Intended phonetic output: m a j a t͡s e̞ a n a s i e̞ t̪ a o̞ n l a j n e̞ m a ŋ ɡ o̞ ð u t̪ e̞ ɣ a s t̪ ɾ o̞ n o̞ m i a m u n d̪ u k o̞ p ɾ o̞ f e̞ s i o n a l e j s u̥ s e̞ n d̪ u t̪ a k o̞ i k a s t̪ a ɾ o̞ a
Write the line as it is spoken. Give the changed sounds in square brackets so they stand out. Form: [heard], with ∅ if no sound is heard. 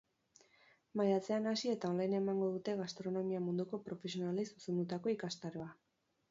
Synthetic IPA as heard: m a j a t͡s e̞ a n a s i e̞ t̪ a o̞ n l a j n e̞ m a ŋ ɡ o̞ ð u t̪ e̞ ɣ a s t̪ ɾ o̞ n o̞ m i a m u n d̪ u k o̞ p ɾ o̞ f e̞ s i o n a l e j s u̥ s e̞ n d̪ u t̪ a k o̞ i k a s t̪ a ɾ o̞ a